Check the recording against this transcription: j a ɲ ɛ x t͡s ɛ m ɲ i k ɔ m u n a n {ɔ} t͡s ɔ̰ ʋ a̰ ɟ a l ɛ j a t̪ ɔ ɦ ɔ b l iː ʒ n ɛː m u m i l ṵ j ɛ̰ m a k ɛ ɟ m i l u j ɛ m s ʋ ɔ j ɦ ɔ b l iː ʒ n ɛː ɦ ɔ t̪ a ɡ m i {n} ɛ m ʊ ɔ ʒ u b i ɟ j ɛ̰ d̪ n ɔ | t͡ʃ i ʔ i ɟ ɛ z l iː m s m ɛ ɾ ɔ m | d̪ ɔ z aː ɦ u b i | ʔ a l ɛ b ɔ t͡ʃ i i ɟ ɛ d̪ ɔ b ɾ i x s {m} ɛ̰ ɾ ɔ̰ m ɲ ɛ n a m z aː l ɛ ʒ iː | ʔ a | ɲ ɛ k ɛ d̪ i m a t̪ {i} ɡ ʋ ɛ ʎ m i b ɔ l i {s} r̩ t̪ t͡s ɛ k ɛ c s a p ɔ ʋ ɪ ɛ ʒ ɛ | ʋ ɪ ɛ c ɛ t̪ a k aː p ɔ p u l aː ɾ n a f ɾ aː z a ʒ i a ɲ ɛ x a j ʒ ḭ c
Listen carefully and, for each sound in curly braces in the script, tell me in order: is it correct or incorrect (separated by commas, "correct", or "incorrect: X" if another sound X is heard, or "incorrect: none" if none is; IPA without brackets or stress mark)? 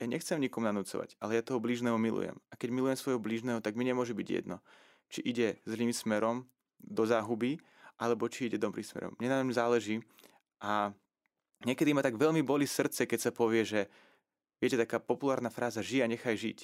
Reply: incorrect: u, incorrect: ɲ, correct, incorrect: a, correct